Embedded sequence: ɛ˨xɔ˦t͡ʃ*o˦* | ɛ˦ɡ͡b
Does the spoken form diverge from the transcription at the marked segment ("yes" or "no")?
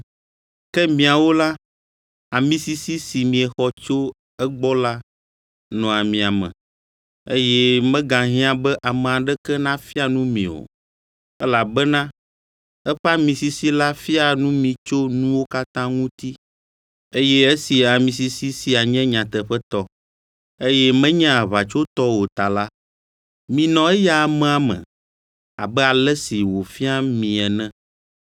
no